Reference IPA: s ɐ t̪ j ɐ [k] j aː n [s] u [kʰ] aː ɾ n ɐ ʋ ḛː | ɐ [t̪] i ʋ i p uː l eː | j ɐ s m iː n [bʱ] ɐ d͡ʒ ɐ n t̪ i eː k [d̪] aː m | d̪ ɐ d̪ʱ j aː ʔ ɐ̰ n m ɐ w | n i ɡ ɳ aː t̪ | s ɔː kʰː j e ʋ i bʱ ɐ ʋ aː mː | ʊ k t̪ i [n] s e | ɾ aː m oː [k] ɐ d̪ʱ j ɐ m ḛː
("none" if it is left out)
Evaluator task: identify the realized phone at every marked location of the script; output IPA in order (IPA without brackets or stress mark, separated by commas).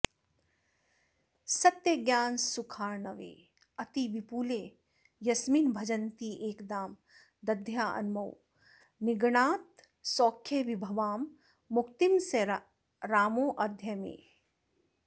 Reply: ɡ, s, kʰ, t̪, bʱ, d̪, m, ʔ